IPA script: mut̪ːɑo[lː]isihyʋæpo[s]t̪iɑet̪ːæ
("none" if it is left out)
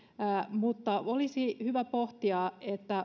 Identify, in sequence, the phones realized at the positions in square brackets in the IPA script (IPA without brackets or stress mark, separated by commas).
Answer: l, h